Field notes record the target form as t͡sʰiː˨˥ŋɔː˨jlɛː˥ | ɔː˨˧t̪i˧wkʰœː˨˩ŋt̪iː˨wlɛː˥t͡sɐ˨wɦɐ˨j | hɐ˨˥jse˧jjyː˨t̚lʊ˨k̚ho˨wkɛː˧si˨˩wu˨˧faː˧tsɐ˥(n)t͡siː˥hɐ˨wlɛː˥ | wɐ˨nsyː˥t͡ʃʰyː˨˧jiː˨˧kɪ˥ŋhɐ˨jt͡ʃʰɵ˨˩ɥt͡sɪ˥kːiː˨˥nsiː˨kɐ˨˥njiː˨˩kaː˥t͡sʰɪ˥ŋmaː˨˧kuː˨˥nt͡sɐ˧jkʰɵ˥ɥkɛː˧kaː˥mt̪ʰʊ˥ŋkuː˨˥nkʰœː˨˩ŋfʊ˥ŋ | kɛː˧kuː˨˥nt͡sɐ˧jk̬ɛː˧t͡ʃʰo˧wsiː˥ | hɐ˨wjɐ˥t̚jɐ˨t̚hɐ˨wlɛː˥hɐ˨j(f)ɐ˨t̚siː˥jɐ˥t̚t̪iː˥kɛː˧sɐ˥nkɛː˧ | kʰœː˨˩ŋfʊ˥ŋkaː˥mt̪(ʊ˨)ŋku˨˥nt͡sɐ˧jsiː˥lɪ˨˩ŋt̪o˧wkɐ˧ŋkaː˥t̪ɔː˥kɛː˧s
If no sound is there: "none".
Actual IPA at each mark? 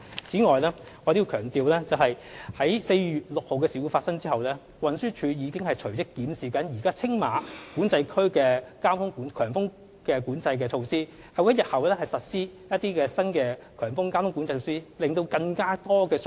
ŋ, s, ʊ˥

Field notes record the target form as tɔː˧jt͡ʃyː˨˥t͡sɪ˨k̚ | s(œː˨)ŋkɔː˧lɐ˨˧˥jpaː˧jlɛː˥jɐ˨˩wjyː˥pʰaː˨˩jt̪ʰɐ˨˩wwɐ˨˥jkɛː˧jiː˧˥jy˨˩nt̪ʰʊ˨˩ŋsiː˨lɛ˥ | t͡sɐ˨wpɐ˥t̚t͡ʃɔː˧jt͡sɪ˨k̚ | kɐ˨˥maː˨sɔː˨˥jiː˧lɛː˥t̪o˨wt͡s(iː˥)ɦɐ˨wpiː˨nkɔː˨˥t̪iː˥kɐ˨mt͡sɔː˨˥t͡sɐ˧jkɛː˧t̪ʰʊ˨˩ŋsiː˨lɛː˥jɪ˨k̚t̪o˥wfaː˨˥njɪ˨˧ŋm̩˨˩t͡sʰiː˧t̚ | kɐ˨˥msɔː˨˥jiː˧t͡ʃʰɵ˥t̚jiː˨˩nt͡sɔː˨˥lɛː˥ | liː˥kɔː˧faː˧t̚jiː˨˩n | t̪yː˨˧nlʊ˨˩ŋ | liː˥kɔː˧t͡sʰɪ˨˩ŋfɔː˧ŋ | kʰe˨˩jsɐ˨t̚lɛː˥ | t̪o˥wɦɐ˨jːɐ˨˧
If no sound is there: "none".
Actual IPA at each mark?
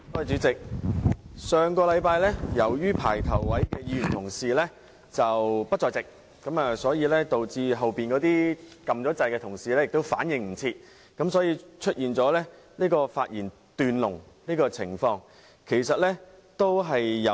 œː˨, iː˧

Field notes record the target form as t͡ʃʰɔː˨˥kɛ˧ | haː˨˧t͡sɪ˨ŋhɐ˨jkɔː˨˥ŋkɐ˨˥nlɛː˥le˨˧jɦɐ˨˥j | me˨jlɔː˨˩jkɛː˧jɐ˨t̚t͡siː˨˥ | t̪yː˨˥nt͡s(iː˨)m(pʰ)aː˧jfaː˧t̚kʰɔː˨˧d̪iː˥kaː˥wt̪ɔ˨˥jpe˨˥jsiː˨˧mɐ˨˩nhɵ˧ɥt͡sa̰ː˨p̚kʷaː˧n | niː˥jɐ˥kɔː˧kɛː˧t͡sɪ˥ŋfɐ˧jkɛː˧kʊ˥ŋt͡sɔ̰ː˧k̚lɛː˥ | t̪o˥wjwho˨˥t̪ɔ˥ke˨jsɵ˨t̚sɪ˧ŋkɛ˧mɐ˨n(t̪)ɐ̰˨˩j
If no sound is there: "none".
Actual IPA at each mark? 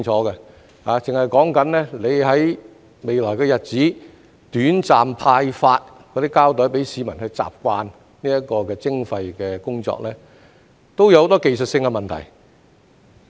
aː˨, pʰ, t̪ʰ

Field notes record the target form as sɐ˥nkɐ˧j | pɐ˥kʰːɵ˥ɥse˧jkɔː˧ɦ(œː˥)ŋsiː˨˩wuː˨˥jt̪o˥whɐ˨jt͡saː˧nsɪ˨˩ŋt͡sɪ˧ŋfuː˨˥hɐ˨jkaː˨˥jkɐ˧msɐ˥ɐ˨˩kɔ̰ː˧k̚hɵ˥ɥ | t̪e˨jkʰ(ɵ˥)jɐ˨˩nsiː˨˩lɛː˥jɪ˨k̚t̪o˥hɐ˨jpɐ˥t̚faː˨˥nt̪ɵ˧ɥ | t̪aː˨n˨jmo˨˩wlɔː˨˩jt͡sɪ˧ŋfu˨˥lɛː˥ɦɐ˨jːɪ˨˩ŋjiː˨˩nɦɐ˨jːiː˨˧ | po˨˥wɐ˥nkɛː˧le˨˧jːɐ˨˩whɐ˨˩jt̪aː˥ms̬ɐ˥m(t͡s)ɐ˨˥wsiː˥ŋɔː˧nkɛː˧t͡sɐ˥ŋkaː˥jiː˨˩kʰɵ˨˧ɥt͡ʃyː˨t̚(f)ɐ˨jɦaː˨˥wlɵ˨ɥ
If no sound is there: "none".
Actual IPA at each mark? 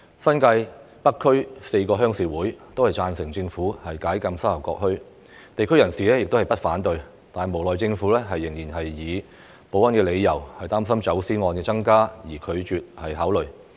œː˥, ɵ˥, t͡s, h

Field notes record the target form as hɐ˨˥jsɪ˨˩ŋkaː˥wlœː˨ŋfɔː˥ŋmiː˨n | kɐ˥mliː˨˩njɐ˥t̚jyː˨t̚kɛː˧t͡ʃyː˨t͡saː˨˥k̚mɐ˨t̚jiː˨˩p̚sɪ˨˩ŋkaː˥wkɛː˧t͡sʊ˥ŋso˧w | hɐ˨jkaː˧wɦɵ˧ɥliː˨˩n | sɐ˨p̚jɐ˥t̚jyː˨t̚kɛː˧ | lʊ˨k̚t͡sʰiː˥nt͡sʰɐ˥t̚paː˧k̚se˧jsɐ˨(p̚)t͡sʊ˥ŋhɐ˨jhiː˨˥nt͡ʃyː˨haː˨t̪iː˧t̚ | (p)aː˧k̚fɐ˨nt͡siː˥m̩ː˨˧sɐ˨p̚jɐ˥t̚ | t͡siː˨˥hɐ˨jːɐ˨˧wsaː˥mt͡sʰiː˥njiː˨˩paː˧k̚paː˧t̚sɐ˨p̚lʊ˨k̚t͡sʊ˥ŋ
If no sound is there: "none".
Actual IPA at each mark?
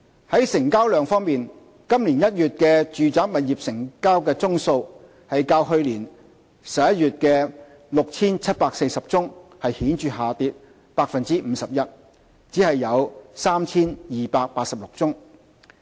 p̚, p

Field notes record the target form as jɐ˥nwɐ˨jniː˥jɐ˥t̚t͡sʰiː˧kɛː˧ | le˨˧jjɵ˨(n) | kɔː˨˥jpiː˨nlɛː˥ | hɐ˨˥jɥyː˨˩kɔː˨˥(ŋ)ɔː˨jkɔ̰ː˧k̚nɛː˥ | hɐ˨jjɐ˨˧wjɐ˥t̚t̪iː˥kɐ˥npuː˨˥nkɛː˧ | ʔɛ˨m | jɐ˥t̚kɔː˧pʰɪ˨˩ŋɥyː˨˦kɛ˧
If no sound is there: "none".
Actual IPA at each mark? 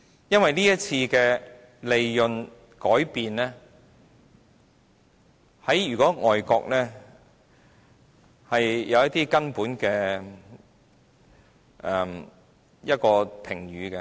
n, ŋ

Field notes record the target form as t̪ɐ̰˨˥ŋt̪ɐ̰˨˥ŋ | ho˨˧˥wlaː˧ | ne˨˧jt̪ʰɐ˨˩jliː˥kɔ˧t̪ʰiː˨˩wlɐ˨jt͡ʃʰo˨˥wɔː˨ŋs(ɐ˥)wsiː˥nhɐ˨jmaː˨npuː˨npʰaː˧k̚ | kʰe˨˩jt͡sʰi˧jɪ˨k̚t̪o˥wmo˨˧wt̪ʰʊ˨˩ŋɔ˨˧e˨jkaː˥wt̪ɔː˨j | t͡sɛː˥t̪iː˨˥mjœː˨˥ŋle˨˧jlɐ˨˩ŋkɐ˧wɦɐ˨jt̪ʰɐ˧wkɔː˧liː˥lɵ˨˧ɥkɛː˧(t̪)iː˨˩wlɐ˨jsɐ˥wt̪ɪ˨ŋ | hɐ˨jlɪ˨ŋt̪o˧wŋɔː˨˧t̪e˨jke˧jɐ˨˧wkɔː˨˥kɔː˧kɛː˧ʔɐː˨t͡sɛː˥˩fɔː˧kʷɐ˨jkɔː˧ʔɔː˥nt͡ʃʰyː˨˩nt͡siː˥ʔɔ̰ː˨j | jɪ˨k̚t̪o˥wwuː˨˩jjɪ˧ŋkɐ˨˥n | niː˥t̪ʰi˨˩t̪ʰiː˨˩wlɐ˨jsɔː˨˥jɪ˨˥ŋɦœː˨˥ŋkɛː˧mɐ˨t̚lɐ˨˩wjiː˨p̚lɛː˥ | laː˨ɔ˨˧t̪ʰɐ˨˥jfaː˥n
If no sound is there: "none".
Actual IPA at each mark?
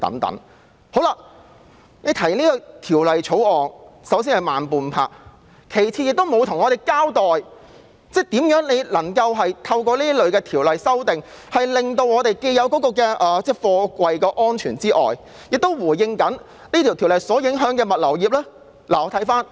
ɐ˨˥, t̪ʰ

